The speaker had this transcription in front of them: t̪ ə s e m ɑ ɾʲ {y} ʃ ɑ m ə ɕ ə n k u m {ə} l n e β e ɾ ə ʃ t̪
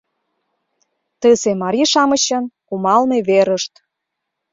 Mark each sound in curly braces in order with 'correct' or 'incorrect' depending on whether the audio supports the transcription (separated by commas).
incorrect, incorrect